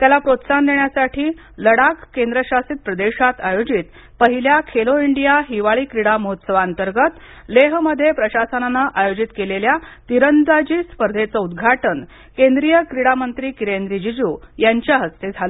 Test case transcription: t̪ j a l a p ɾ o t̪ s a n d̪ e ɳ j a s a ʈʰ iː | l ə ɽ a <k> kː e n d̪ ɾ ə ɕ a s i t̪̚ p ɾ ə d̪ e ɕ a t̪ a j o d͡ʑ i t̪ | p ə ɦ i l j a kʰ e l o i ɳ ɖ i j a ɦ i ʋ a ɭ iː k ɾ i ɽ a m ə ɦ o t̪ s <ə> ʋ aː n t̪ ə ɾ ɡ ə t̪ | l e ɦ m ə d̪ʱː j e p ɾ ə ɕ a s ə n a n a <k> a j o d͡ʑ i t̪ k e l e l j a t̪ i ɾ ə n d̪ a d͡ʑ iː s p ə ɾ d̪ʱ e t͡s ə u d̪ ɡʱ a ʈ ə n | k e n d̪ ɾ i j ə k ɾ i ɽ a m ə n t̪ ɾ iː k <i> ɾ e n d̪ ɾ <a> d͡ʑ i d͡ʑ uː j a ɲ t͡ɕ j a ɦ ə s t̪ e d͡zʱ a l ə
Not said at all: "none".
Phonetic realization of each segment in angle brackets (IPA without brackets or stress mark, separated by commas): k, ə, ʔ, i, i